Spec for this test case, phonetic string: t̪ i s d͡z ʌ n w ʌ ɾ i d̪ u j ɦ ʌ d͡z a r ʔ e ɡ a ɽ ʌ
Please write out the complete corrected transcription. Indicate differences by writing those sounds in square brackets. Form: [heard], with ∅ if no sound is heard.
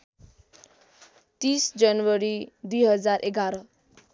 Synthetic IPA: t̪ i s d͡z ʌ n w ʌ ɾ i d̪ u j ɦ ʌ d͡z a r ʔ e ɡ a [ɾ] ʌ